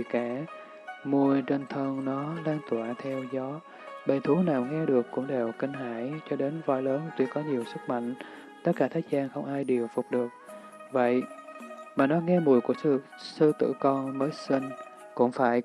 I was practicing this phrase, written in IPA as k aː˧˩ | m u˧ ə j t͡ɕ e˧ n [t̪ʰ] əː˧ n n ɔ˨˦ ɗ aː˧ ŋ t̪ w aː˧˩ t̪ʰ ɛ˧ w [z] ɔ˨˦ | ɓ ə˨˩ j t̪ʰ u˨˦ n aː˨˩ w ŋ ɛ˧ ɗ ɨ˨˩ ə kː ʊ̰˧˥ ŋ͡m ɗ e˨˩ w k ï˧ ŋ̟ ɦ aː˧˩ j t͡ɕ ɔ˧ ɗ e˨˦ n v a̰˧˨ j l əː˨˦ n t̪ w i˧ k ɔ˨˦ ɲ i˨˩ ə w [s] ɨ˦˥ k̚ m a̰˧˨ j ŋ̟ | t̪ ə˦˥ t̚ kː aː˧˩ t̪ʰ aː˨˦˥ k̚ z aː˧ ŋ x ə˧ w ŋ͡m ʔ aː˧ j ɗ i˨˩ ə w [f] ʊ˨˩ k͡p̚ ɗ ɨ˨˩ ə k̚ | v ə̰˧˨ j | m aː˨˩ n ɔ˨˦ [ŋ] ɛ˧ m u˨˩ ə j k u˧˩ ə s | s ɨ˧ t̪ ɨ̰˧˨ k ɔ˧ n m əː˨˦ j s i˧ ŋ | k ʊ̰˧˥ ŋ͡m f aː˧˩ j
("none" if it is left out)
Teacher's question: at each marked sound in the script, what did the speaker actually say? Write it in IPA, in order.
t̪ʰ, z, s, f, ŋ

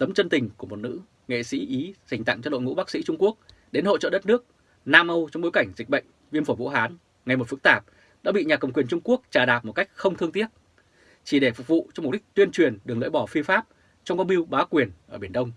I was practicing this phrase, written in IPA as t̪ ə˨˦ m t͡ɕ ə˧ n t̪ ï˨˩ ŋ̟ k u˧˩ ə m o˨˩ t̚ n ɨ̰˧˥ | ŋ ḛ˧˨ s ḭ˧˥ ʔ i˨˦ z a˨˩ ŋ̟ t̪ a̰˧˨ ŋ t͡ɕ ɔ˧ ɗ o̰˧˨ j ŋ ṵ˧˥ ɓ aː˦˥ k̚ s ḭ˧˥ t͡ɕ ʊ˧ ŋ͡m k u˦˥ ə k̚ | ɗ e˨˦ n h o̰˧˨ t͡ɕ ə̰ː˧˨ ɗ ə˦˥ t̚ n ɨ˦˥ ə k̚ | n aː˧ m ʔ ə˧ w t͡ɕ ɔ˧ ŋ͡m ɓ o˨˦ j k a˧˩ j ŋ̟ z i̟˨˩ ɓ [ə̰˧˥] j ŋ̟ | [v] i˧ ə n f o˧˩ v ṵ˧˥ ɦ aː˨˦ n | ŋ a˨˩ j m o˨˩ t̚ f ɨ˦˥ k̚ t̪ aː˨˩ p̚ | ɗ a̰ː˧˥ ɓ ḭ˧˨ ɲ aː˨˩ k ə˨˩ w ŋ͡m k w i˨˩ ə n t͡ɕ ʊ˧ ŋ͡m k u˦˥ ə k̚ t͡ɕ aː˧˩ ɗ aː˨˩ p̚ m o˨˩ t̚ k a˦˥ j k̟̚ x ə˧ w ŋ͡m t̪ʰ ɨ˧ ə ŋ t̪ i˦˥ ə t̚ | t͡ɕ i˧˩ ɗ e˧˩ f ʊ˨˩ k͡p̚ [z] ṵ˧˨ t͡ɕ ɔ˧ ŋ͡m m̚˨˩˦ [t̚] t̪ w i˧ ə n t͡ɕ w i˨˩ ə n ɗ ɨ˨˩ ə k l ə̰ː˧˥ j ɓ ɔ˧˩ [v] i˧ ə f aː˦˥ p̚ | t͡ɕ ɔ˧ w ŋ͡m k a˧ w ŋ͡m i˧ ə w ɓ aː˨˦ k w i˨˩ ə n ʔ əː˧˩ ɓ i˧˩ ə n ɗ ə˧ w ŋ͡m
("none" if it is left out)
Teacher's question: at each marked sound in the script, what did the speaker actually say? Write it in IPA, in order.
ə̰˧˨, v, v, k̚, f

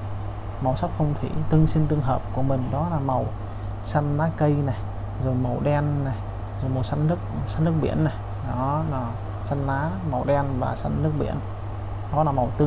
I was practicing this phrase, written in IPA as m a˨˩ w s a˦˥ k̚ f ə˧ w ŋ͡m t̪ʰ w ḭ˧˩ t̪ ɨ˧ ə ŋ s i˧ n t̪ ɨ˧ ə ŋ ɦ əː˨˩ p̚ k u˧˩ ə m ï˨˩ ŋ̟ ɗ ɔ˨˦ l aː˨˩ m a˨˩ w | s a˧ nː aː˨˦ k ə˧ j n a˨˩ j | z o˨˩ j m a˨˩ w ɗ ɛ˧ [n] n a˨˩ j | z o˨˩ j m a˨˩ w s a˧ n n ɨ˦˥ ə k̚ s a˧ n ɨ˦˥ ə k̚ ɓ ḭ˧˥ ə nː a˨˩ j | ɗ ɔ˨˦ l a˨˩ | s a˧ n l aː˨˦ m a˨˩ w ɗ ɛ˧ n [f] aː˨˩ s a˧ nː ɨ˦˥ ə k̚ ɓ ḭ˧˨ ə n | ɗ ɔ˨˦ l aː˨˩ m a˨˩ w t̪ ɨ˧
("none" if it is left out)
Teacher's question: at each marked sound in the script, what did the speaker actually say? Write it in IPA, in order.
n, v

